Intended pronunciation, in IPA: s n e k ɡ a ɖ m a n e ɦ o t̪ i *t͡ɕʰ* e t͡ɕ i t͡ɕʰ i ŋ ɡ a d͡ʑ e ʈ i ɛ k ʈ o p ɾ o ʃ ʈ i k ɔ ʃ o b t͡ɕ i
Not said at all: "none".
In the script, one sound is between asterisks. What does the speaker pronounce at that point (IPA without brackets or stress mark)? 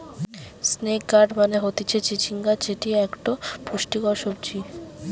t͡ɕʰ